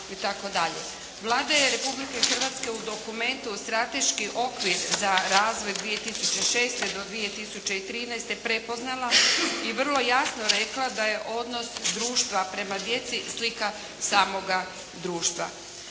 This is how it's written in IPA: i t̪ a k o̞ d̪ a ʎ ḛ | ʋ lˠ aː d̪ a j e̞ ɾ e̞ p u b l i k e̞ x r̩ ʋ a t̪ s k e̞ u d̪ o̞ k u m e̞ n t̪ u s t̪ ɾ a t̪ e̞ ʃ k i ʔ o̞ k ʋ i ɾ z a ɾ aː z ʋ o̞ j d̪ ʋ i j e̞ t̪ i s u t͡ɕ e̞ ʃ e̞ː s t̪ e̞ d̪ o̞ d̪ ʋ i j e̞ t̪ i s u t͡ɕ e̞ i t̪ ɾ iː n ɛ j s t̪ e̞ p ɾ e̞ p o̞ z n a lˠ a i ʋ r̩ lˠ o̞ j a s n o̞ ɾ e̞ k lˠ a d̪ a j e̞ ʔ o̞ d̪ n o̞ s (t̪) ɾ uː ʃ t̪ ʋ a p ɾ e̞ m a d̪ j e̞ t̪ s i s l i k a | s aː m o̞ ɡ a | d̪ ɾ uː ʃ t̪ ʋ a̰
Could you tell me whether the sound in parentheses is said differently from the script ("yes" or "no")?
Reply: yes